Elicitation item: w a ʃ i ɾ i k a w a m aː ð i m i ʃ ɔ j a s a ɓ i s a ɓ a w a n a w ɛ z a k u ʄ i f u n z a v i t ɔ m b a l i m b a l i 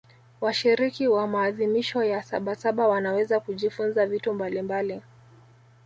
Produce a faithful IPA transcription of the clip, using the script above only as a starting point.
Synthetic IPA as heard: w a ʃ i ɾ i k i w a m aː ð i m i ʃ ɔ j a s a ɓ a s a ɓ a w a n a w ɛ z a k u ʄ i f u n z a v i t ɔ m b a l i m b a l i